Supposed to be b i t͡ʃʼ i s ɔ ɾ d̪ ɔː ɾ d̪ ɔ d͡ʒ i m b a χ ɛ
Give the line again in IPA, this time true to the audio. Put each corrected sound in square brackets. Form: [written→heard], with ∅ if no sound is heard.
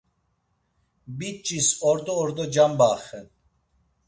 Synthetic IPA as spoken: b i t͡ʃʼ i s ɔ ɾ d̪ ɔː ɾ d̪ ɔ d͡ʒ [i→a] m b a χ ɛ